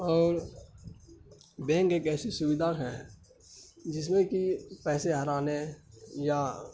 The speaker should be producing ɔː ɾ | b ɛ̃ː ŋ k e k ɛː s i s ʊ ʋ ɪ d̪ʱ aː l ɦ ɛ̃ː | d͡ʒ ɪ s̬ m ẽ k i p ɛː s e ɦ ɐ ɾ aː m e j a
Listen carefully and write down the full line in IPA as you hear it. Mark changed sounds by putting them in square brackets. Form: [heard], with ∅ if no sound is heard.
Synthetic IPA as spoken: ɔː ɾ | b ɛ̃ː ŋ k e k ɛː s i s ʊ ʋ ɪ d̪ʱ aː [ɾ] ɦ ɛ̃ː | d͡ʒ ɪ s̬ m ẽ k i p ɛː s e ɦ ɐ ɾ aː [n] e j a